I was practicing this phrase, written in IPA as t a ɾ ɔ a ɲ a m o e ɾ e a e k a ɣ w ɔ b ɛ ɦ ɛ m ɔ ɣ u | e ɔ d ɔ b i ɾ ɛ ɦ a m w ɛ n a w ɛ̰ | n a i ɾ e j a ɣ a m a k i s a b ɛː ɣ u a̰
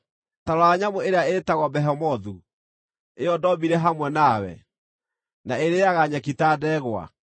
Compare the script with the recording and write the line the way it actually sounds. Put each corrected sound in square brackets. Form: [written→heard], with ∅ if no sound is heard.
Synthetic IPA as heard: t a ɾ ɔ a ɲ a m o e ɾ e a e [k→t] a ɣ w ɔ b ɛ ɦ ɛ m ɔ [ɣ→ð] u | e ɔ d ɔ b i ɾ ɛ ɦ a m w ɛ n a w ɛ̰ | n a [i→e] ɾ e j a ɣ a [m→ɲ] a k i [s→t] a [b→d] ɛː ɣ [u→w] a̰